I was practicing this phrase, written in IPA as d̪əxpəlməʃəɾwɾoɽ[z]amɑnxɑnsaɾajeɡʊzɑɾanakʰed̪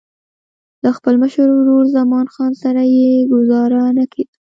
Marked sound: correct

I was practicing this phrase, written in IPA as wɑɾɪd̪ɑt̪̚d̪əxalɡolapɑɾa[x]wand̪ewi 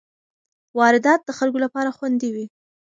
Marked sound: correct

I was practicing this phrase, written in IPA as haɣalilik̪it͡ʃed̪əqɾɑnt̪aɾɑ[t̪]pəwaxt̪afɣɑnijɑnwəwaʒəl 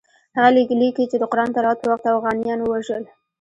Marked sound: correct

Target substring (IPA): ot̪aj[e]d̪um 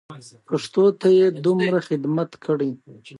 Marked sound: correct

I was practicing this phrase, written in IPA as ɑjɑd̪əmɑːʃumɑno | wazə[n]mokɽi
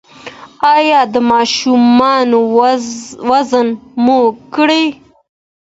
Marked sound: correct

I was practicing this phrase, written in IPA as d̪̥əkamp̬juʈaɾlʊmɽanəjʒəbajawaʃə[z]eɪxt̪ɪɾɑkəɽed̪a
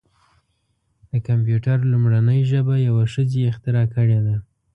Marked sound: correct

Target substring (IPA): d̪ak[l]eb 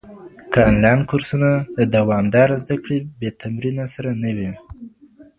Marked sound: incorrect: ɽ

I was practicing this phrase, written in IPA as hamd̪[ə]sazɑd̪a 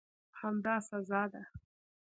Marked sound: incorrect: ɑ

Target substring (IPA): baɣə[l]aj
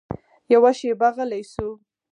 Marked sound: correct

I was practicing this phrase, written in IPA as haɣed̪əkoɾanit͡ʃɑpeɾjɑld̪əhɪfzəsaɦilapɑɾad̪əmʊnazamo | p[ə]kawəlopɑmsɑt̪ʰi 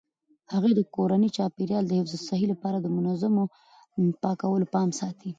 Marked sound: incorrect: ɑ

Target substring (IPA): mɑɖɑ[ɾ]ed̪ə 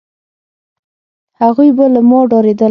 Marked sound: correct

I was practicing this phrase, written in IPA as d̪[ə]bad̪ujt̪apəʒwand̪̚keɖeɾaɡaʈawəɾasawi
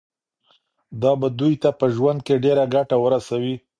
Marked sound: incorrect: ɑ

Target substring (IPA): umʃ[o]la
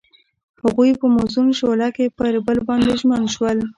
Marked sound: correct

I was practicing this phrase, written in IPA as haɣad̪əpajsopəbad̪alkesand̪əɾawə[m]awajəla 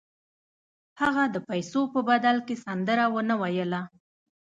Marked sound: incorrect: n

